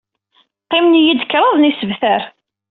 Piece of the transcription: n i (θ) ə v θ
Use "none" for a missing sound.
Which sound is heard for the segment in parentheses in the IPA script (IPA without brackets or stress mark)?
s